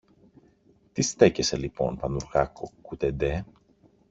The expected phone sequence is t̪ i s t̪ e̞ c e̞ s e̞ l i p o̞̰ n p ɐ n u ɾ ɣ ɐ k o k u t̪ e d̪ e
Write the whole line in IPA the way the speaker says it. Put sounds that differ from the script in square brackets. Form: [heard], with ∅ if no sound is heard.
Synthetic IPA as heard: t̪ i s t̪ e̞ c e̞ s e̞ l i p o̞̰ n p ɐ n u ɾ ɣ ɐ k o k u t̪ e d̪ e